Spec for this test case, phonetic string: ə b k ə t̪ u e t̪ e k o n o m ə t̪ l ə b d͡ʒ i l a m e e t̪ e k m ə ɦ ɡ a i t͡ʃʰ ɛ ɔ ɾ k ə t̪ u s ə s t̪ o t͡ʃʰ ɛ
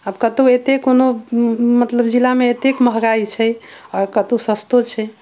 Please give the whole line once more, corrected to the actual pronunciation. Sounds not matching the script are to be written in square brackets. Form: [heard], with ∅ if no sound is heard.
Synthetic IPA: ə b k ə t̪ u e t̪ e k o n o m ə t̪ l ə b d͡ʒ i l a m e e t̪ e k m ə ɦ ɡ a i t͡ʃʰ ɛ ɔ ɾ k ə t̪ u s ə s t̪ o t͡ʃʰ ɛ